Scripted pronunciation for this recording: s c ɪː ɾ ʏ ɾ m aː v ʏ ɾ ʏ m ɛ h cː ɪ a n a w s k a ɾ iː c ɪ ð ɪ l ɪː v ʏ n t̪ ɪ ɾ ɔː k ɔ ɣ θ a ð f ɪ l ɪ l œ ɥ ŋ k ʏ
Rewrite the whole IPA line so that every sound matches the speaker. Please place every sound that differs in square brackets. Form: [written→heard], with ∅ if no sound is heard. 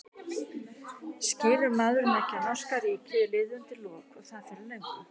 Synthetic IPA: s c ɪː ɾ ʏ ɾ m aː [v→ð] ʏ ɾ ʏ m ɛ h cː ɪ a n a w s k a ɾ iː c ɪ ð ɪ l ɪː [v→ð] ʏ n t̪ ɪ [ɾ→l] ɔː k ɔ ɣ θ a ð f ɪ [l→ɾ] ɪ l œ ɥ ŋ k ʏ